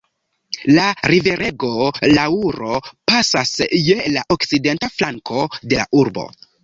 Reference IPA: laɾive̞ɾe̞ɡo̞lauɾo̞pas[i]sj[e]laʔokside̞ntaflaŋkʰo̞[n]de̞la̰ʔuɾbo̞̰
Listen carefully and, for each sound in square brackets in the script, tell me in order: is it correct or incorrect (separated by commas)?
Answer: incorrect, correct, incorrect